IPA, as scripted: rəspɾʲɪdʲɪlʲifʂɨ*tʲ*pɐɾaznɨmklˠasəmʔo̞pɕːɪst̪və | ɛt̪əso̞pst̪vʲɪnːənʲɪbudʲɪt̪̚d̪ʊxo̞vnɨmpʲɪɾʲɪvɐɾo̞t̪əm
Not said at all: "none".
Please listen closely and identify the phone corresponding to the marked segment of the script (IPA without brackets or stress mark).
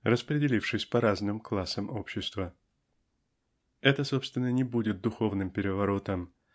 sʲ